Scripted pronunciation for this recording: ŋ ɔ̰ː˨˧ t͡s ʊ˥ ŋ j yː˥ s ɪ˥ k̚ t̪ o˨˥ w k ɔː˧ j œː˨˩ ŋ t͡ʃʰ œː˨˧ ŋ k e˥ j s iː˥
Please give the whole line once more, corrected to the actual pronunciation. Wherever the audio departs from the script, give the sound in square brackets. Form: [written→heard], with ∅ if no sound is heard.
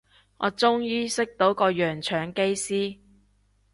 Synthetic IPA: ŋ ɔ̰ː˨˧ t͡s ʊ˥ ŋ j [yː˥→iː˥] s ɪ˥ k̚ t̪ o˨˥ w k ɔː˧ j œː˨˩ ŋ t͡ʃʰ œː˨˧ ŋ k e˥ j s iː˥

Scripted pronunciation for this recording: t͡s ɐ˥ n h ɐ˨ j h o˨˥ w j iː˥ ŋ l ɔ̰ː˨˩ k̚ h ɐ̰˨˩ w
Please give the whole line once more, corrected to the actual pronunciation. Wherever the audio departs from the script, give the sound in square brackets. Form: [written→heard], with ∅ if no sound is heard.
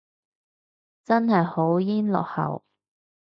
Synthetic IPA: t͡s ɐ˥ n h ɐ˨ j h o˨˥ w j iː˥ [ŋ→n] l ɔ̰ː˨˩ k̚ h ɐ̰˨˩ w

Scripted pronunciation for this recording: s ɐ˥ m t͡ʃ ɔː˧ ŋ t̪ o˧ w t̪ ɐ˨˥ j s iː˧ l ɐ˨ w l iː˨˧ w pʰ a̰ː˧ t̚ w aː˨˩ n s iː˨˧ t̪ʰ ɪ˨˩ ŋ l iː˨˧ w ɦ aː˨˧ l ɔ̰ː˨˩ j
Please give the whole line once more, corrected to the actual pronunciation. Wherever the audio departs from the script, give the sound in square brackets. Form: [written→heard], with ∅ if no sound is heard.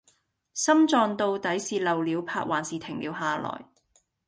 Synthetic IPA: s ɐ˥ m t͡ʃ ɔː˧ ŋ t̪ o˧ w t̪ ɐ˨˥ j s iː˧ l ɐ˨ w l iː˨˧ w pʰ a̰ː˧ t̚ w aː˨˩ n s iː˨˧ t̪ʰ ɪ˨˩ ŋ l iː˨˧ w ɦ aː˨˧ l ɔ̰ː˨˩ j

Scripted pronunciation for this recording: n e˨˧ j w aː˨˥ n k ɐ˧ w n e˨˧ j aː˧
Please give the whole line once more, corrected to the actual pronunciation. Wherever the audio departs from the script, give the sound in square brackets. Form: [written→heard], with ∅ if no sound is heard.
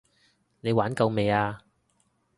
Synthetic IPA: n e˨˧ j w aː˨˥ n k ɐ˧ w [n→m] e˨˧ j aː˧

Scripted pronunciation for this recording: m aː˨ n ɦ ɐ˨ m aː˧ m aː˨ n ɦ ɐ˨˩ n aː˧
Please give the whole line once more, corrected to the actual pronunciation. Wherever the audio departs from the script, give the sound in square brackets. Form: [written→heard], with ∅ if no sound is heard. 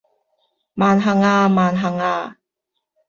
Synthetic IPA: m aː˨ n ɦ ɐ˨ [m→ŋ] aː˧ m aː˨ n ɦ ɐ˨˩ [n→ŋ] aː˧

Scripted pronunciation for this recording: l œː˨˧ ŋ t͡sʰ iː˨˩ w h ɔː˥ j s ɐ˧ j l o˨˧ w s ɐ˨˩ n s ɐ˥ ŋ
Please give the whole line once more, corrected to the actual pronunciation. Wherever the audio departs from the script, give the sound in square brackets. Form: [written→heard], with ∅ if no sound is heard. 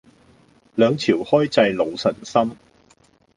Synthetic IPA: l œː˨˧ ŋ t͡sʰ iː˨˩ w h ɔː˥ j [s→t͡s] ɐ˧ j l o˨˧ w s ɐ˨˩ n s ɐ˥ [ŋ→m]

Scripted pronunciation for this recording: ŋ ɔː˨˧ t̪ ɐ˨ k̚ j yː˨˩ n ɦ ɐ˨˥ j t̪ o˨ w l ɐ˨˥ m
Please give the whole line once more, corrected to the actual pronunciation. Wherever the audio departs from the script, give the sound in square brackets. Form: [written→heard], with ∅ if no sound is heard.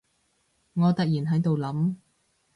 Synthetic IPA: ŋ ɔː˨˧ t̪ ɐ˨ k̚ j [yː˨˩→iː˨˩] n ɦ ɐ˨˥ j t̪ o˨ w l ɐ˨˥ m

